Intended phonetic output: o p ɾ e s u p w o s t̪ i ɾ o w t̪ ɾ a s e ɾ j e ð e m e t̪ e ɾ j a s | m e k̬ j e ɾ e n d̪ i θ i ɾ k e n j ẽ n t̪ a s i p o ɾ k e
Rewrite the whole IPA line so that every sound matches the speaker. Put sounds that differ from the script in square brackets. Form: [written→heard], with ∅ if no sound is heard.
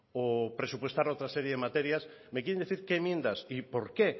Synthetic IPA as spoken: o p ɾ e s u p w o s t̪ [i→a] ɾ o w t̪ ɾ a s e ɾ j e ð e m [e→a] t̪ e ɾ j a s | m e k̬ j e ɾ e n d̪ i θ i ɾ k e [n→m] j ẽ n [t̪→d̪] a s i p o ɾ k e